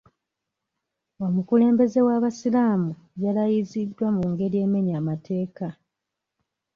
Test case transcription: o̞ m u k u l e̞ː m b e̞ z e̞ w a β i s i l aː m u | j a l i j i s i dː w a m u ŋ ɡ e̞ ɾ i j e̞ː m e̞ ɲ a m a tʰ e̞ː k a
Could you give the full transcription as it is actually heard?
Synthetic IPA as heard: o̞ m u k u l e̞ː m b e̞ z e̞ w a β a s i l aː m u | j a l a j i z i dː w a m u ŋ ɡ e̞ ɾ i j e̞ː m e̞ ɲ a m a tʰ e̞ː k a